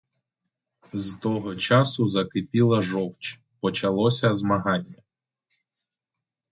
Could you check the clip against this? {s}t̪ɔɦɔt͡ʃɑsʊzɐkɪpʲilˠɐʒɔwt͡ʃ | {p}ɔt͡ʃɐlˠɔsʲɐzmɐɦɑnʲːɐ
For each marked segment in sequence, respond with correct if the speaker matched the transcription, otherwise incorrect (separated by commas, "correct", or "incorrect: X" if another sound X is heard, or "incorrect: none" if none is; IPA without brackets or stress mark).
incorrect: z, correct